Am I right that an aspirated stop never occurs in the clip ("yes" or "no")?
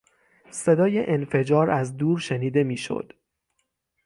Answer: yes